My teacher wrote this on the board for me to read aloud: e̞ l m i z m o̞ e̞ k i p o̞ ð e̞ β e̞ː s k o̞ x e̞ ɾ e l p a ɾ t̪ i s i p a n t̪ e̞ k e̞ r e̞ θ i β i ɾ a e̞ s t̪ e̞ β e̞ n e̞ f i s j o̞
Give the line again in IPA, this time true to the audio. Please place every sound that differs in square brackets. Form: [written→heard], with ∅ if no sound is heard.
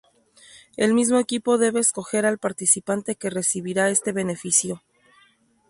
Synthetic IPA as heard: e̞ l m i z m o̞ e̞ k i p o̞ ð e̞ β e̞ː s k o̞ x e̞ ɾ [e→a] l p a ɾ t̪ i s i p a n t̪ e̞ k e̞ r e̞ [θ→s] i β i ɾ a e̞ s t̪ e̞ β e̞ n e̞ f i s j o̞